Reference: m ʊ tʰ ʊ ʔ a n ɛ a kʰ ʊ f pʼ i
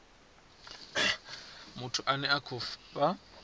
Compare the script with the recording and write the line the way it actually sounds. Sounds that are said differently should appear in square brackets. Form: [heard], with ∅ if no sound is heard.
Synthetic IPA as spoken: m ʊ tʰ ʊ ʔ a n ɛ a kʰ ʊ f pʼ [a]